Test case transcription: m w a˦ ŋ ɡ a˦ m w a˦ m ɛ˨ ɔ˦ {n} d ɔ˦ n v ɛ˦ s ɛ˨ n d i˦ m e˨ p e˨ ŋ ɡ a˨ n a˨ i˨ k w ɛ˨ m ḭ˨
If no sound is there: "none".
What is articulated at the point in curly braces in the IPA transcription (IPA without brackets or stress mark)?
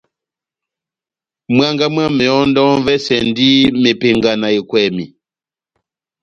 n